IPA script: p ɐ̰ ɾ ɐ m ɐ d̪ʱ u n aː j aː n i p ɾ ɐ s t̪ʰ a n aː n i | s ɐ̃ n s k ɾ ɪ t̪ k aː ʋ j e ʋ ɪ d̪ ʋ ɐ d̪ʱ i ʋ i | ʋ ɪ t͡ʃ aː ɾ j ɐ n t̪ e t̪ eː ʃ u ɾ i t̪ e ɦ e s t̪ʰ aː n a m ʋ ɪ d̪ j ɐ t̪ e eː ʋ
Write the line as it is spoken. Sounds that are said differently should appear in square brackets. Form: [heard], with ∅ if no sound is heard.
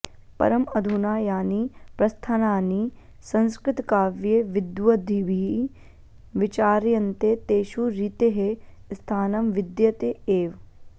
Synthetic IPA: p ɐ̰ ɾ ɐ m ɐ d̪ʱ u n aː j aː n i p ɾ ɐ s t̪ʰ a n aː n i | s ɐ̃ n s k ɾ ɪ t̪ k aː ʋ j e ʋ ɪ d̪ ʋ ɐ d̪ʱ i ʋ i | ʋ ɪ t͡ʃ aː ɾ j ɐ n t̪ e t̪ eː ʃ u ɾ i t̪ e ɦ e s t̪ʰ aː n [ɐ] m ʋ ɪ d̪ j ɐ t̪ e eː ʋ